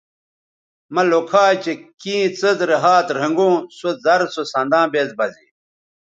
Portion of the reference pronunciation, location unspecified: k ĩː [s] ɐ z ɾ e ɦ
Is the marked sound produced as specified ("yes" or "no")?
no